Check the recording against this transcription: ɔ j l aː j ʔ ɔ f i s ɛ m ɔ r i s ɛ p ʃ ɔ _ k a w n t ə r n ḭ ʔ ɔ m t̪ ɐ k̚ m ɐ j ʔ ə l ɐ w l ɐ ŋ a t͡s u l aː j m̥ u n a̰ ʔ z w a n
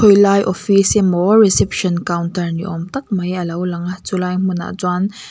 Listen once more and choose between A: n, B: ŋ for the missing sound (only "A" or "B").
A